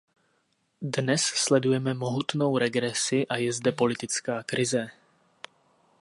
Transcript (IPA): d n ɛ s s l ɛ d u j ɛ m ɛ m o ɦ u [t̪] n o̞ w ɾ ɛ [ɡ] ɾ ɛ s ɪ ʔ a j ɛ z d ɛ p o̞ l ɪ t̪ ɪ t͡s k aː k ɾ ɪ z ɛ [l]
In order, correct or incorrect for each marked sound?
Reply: correct, correct, incorrect

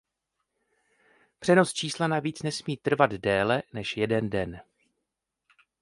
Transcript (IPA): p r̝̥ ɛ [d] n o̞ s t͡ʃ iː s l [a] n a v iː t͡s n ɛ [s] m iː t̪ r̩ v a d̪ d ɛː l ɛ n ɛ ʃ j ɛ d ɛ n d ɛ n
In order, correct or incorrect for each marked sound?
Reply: incorrect, correct, correct

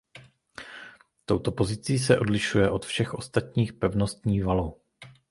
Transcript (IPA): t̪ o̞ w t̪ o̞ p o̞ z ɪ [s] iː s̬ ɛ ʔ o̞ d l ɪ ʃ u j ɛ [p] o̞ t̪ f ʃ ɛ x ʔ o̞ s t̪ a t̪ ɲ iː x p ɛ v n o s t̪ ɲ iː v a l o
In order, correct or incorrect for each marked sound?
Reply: incorrect, incorrect

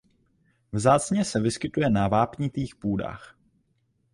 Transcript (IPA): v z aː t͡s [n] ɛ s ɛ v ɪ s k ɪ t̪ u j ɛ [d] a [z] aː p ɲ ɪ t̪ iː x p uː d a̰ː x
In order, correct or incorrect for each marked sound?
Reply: incorrect, incorrect, incorrect

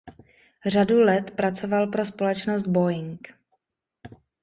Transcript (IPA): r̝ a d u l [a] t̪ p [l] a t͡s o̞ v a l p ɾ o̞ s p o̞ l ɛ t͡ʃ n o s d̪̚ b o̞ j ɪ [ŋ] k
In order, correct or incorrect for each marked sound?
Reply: incorrect, incorrect, correct

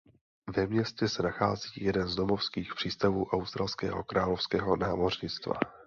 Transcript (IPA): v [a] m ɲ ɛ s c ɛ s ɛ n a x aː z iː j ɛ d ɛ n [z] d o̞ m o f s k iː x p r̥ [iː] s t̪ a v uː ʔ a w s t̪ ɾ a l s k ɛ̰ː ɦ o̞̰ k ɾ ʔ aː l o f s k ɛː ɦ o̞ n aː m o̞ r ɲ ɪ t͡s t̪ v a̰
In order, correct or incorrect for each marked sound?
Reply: incorrect, correct, correct

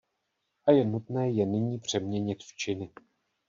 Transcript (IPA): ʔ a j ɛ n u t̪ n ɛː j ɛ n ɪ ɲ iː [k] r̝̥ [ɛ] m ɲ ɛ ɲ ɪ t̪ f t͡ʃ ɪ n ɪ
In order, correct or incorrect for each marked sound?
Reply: incorrect, correct

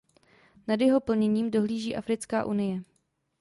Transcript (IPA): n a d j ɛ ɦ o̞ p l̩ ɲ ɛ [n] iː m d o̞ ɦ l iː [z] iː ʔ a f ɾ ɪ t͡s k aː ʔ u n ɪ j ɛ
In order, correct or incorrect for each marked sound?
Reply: incorrect, incorrect

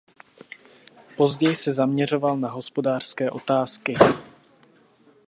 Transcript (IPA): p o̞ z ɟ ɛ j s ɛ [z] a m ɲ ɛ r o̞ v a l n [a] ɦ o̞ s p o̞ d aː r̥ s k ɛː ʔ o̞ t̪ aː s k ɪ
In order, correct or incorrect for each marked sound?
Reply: correct, correct

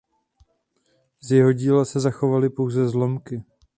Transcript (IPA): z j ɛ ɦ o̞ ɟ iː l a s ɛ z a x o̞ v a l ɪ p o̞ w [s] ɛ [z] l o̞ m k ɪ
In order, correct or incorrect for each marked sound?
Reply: incorrect, correct

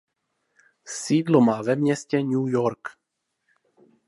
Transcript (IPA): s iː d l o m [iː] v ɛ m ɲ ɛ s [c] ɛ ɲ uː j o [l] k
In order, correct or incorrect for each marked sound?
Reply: incorrect, correct, incorrect

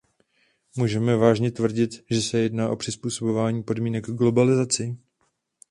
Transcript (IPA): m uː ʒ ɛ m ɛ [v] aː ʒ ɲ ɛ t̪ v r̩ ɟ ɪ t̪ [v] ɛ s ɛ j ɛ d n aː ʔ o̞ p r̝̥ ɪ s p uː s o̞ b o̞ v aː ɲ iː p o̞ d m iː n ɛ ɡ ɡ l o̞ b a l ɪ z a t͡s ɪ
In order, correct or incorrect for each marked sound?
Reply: correct, incorrect

